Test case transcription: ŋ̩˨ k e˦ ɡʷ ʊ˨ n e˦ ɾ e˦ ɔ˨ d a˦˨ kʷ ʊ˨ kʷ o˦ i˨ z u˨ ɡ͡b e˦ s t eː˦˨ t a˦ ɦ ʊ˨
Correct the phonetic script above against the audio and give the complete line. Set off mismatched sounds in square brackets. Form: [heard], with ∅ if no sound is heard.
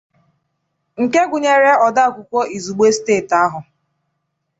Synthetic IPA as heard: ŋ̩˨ k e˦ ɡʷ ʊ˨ [ɲ] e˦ ɾ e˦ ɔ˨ d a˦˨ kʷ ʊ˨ kʷ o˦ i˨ z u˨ ɡ͡b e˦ s t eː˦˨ t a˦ ɦ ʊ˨